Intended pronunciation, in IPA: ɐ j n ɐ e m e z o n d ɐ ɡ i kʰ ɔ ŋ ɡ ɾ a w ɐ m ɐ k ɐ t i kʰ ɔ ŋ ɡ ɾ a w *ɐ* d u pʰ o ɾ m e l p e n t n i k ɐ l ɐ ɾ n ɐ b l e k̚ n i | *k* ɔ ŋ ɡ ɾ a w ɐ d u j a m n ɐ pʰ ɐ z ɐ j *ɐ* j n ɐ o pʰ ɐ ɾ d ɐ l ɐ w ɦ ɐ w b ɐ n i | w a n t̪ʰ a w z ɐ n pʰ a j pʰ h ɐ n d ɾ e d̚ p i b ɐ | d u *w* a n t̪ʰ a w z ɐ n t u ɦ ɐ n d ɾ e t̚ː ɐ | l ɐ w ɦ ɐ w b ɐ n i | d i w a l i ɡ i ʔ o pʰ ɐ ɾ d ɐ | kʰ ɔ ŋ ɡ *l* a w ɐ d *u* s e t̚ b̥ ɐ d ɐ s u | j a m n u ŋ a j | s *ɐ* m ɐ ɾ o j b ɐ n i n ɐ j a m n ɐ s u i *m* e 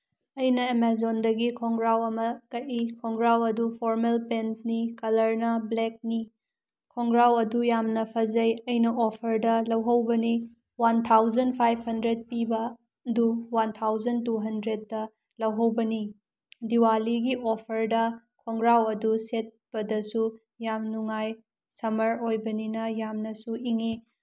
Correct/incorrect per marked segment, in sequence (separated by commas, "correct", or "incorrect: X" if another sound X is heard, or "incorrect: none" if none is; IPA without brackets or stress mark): correct, incorrect: kʰ, correct, correct, incorrect: ɾ, correct, correct, incorrect: ŋ